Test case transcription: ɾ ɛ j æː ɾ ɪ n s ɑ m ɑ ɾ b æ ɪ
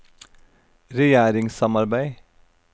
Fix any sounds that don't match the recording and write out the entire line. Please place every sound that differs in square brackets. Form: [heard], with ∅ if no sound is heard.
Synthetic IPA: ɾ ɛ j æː ɾ ɪ [ŋ] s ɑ m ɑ ɾ b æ ɪ

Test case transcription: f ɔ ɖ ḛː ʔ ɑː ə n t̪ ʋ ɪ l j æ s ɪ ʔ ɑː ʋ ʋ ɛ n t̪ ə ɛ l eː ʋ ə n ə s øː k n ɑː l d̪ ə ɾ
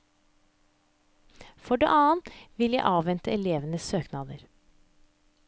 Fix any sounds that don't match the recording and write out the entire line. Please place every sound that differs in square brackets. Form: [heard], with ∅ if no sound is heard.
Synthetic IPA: f ɔ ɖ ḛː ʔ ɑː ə n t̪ ʋ ɪ l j æ [∅] ɪ ʔ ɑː ʋ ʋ ɛ n t̪ ə ɛ l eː ʋ ə n ə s øː k n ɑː [∅] d̪ ə ɾ

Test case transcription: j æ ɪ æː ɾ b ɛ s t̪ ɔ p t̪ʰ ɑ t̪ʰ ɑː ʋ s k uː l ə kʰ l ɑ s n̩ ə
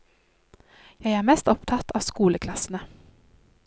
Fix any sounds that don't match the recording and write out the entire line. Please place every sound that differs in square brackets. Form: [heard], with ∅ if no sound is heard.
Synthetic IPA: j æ ɪ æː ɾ [m] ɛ s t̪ ɔ p t̪ʰ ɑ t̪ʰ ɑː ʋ s k uː l ə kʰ l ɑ s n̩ ə

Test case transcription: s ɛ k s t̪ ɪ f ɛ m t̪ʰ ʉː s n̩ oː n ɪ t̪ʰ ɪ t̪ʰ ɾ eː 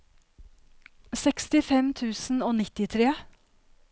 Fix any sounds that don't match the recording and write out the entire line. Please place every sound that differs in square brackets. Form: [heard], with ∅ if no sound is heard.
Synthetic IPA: s ɛ k s t̪ ɪ f ɛ m t̪ʰ ʉː s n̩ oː n ɪ [t̪] ɪ t̪ʰ ɾ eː

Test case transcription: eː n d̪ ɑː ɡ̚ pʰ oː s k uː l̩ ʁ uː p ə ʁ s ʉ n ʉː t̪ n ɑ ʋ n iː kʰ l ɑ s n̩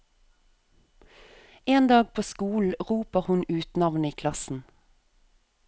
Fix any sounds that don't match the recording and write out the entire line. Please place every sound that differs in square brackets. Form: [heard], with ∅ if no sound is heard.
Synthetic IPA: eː n d̪ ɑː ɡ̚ pʰ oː s k uː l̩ ʁ uː p ə ʁ [h] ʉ n ʉː t̪ n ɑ ʋ n iː kʰ l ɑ s n̩

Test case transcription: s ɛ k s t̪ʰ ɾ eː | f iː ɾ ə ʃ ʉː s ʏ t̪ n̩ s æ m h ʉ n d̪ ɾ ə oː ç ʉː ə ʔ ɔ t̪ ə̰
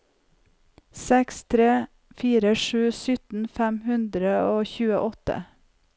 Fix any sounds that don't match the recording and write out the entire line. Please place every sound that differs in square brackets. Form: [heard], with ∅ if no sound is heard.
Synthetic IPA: s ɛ k s t̪ʰ ɾ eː | f iː ɾ ə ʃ ʉː s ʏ t̪ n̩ [f] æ m h ʉ n d̪ ɾ ə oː ç ʉː ə ʔ ɔ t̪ ə̰

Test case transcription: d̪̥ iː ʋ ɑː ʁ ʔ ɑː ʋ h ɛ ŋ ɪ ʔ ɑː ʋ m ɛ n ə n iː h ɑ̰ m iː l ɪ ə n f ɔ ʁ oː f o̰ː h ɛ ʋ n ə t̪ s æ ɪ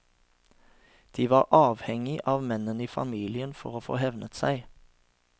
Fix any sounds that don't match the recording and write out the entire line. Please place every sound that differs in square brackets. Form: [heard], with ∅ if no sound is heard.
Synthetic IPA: d̪̥ iː ʋ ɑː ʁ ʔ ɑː ʋ h ɛ ŋ ɪ ʔ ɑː ʋ m ɛ n ə n iː [f] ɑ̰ m iː l ɪ ə n f ɔ ʁ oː f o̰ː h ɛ ʋ n ə t̪ s æ ɪ

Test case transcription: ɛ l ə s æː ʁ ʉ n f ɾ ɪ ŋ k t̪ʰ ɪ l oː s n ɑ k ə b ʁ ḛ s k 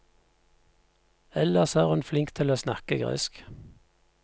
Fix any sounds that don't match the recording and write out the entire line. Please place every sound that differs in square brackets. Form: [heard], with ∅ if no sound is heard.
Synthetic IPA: ɛ l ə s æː ʁ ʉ n f [l] ɪ ŋ k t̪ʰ ɪ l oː s n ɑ k ə [ɡ] ʁ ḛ s k

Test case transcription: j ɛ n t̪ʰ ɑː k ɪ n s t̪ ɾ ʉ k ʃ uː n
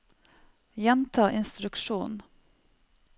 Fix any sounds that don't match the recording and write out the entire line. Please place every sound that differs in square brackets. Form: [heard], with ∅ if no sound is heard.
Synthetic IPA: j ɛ n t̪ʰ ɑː [ʔ] ɪ n s t̪ ɾ ʉ k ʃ uː n

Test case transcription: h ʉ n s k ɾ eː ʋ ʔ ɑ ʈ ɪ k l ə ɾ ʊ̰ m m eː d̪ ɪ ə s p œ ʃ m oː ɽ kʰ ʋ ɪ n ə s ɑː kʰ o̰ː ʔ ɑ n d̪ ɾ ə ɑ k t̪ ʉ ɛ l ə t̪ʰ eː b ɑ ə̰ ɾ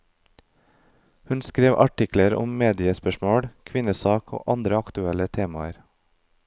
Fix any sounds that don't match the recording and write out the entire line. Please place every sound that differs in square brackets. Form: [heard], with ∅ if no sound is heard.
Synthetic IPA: h ʉ n s k ɾ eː ʋ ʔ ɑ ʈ ɪ k l ə ɾ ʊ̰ m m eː d̪ ɪ ə s p œ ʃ m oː ɽ kʰ ʋ ɪ n ə s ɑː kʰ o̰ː ʔ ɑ n d̪ ɾ ə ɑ k t̪ ʉ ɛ l ə t̪ʰ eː [m] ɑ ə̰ ɾ

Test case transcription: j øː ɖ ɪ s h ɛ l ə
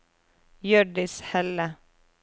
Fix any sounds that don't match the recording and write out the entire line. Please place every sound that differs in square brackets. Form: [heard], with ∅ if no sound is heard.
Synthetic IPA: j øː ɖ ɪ s h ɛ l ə

